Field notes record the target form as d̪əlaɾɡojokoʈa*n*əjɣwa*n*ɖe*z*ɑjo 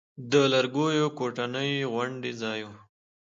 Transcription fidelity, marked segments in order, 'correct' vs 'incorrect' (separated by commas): correct, incorrect, correct